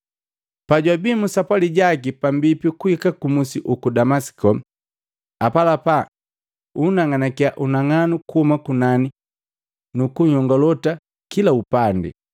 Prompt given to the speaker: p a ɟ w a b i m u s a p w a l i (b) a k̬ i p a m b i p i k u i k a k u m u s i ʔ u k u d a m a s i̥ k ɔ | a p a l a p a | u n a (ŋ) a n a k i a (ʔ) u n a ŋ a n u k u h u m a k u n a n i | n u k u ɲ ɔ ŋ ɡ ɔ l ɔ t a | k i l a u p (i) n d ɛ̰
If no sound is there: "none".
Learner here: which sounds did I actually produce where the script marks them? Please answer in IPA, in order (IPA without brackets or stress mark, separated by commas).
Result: ɟ, ŋ, ʔ, a